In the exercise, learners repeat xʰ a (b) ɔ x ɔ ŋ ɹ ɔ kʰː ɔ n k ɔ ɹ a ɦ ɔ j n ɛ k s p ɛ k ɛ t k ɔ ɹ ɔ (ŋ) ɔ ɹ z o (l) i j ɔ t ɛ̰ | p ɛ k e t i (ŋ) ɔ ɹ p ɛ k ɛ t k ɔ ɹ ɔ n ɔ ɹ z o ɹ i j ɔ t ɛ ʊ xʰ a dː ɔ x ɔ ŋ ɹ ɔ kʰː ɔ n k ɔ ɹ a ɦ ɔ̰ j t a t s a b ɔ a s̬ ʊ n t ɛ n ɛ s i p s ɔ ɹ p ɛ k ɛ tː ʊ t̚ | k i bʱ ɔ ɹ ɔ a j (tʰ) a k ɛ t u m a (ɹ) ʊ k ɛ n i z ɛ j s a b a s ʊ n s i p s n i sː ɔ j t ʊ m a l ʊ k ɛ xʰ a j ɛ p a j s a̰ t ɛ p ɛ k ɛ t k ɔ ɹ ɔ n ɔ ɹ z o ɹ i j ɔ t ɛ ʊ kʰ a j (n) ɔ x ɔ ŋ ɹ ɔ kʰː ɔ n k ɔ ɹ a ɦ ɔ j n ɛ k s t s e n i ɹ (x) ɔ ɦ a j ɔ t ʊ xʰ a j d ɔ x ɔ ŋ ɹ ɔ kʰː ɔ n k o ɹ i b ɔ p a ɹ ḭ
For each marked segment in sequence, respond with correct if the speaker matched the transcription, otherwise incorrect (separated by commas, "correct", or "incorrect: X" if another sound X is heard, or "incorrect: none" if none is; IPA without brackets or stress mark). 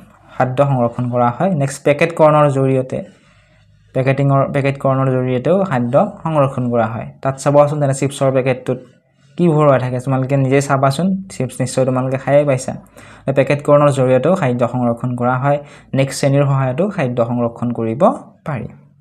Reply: incorrect: d, incorrect: n, incorrect: ɹ, correct, correct, incorrect: l, incorrect: d, correct